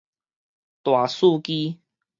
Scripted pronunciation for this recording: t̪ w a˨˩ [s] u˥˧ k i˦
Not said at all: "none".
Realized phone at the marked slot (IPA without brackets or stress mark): s